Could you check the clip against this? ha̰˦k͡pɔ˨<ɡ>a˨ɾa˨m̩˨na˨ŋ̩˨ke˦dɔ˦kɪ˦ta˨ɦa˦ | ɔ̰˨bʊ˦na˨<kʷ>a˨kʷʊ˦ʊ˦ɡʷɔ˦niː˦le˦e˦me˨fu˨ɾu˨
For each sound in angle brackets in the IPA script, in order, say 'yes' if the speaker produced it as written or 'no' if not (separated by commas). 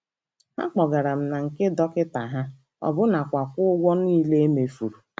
yes, yes